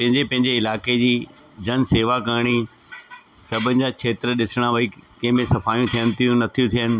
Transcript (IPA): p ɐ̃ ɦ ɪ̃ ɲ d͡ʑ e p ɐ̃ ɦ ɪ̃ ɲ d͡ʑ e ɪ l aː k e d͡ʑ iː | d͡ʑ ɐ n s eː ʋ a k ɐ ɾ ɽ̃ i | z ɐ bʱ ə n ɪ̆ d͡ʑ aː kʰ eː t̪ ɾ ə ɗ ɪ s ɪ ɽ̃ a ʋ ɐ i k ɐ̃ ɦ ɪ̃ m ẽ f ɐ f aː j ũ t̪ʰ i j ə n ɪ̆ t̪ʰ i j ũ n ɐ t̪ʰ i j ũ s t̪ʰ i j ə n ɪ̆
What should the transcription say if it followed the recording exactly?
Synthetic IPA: p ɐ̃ ɦ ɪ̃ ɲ d͡ʑ e p ɐ̃ ɦ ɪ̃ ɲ d͡ʑ e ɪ l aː k e d͡ʑ iː | d͡ʑ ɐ n s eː ʋ a k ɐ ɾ ɽ̃ i | s ɐ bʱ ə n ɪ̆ d͡ʑ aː kʰ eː t̪ ɾ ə ɗ ɪ s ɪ ɽ̃ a ʋ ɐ i k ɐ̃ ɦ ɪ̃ m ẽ s ɐ f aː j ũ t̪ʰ i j ə n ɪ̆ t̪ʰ i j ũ n ɐ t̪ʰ i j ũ t̪ʰ i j ə n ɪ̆